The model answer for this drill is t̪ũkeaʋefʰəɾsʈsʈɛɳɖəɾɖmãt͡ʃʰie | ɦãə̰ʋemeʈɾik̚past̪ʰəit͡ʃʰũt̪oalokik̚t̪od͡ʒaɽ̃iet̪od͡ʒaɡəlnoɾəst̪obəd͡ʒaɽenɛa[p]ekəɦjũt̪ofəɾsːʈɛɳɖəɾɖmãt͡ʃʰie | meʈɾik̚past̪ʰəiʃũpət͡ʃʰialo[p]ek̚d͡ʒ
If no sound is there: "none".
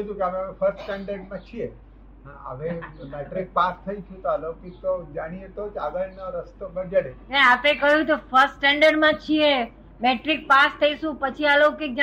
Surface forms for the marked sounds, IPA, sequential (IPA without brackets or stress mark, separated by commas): p, k